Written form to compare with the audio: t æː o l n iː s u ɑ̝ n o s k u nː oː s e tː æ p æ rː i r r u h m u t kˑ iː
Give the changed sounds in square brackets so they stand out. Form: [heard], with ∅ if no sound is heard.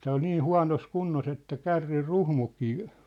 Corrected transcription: t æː o l n iː [h] u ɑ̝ n o s k u nː [o] s e tː æ [k] æ rː i r r u h m u [∅] kˑ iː

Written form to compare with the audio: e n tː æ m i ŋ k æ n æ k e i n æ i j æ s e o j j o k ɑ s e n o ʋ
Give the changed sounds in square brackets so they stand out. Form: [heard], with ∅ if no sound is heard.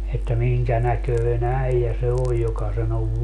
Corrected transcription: e [∅] tː æ m i ŋ k æ n æ k [ø] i n æ i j æ s e o j j o k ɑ s e n o ʋ

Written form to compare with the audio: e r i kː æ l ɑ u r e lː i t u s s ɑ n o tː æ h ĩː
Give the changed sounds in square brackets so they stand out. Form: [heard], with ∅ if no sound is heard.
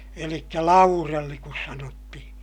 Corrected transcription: e [l] i kː æ l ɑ u r e lː i [k] u s s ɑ n o tː [i] h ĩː

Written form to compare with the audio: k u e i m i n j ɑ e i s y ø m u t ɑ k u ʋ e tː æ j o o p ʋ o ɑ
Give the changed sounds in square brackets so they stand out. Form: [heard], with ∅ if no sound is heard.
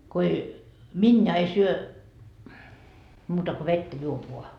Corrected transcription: k [o] e i m i n j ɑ e i s y ø m [uː] t ɑ k [o] ʋ e tː æ j [u] o p ʋ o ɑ

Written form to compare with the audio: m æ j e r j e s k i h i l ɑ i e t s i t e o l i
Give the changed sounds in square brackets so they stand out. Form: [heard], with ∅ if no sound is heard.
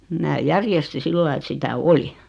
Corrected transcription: m [æː] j [æ] r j e s [t] i [s] i [lː] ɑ i e t s i t [æ] o l i

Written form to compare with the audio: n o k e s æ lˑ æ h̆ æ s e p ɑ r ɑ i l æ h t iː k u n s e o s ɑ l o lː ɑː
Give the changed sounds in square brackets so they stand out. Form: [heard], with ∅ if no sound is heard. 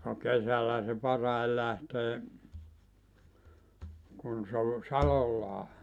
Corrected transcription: n o k e s æ lˑ æ h̆ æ s e p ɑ r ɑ i l æ h t [eː] k u n s e o s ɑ l o lː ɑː

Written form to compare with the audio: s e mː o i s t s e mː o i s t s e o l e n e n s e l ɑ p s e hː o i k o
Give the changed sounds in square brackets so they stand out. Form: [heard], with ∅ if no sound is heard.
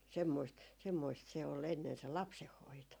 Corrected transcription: s e mː o i s t s e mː o i s t s e o l e [nː] e n s e l ɑ p s e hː o i [t] o

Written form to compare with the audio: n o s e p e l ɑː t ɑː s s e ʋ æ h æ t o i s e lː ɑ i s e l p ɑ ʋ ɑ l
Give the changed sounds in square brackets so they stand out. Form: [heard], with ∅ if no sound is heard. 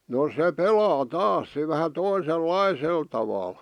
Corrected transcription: n o s e p e l ɑː t ɑː s s e ʋ æ h æ t o i s e lː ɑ i s e l [t] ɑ ʋ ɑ l

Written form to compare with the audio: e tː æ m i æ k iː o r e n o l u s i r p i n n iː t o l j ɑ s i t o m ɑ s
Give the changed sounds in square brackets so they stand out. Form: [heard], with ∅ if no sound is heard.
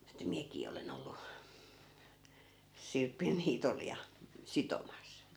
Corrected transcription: e tː æ m i æ k iː o [l] e n o [lː] u s i r p i n n iː t o l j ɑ s i t o m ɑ s

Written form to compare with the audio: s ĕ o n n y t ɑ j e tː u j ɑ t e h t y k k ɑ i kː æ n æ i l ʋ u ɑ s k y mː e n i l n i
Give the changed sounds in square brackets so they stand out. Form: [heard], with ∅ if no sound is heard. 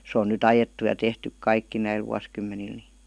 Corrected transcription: s ĕ o n n y t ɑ j e tː u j ɑ t e h t y k k ɑ i kː [i] n æ i l ʋ u ɑ s k y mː e n i l n i

